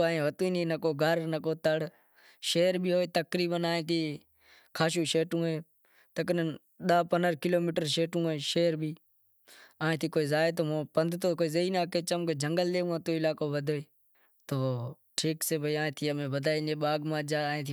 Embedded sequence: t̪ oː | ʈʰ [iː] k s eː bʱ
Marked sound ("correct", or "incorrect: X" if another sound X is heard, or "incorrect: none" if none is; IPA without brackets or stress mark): correct